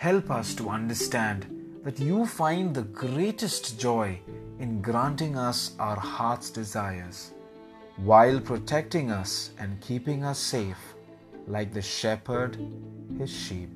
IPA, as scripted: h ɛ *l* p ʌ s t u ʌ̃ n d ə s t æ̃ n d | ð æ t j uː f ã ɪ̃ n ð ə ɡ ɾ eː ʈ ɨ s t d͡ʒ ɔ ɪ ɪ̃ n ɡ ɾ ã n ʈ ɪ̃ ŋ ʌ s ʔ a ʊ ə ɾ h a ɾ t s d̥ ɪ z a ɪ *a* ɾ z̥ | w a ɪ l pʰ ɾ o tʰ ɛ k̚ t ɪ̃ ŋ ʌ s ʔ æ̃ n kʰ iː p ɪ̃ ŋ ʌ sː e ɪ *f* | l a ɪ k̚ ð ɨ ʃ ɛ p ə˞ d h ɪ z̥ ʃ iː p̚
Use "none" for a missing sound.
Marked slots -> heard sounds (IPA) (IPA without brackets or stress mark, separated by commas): l, ə, f